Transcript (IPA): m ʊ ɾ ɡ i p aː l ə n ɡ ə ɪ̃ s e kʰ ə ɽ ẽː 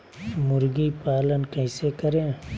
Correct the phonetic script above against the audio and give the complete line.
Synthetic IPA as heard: m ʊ ɾ ɡ i p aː l ə n k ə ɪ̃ s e k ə ɾ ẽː